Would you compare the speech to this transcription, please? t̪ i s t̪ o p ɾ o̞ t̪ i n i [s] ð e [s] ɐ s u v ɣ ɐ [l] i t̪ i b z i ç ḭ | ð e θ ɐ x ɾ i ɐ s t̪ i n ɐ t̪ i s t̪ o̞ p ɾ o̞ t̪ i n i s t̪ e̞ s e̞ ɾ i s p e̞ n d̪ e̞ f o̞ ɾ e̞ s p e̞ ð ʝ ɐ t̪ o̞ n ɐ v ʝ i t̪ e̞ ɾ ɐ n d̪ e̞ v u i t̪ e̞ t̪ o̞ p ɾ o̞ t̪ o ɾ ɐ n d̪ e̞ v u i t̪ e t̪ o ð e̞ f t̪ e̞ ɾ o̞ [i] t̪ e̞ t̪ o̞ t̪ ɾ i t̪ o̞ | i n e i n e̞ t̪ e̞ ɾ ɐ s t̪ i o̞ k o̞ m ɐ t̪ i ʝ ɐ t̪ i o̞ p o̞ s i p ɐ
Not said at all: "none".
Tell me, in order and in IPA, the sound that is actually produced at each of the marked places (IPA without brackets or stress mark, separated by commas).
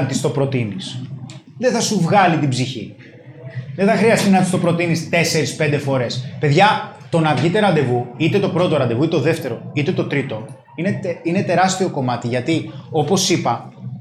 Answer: s, θ, l, i